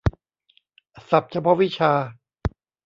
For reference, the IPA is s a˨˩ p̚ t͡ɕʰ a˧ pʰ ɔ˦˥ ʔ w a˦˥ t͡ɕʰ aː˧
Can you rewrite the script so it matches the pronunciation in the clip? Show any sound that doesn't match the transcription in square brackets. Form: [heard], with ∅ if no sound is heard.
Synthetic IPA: s a˨˩ p̚ t͡ɕʰ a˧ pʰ ɔ˦˥ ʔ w [i˦˥] t͡ɕʰ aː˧